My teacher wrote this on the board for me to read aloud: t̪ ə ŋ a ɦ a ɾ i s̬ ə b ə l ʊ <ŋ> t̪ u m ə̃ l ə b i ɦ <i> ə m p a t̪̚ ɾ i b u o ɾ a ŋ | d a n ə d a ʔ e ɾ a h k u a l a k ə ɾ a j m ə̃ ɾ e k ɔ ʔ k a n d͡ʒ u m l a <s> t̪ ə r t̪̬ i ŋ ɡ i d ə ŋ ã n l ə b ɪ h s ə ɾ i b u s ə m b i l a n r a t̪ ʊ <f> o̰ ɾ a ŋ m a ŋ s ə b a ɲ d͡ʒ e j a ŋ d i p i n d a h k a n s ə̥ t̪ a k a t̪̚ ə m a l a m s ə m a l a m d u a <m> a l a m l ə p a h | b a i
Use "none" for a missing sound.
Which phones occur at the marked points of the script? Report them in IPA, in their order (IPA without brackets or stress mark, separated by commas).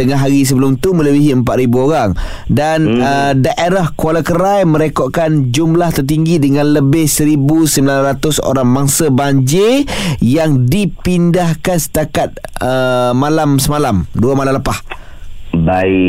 m, i, h, s, m